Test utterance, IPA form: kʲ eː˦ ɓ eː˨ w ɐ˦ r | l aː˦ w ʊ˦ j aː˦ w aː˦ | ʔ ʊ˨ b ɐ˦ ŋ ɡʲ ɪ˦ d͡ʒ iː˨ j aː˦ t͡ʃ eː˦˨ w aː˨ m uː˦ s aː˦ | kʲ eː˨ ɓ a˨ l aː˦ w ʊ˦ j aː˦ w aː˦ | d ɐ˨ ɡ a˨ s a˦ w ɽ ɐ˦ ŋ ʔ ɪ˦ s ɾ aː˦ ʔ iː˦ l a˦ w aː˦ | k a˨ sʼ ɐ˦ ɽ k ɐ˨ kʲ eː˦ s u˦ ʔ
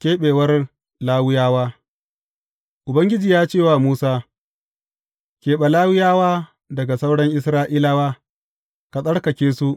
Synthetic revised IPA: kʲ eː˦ ɓ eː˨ w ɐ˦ r | l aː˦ w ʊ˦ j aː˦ w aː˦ | ʔ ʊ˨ b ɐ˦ ŋ ɡʲ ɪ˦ d͡ʒ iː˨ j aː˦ t͡ʃ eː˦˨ w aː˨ m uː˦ s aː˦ | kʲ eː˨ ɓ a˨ l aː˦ w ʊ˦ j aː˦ w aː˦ | d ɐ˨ ɡ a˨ s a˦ w ɽ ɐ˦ ŋ ʔ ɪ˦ s ɾ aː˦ ʔ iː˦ l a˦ w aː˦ | k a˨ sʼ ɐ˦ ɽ k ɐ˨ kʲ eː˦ s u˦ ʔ